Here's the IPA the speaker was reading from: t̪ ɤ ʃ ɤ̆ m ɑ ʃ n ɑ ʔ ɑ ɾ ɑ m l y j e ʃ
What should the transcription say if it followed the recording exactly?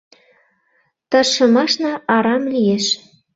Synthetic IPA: t̪ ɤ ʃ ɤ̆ m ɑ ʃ n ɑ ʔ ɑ ɾ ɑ m l i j e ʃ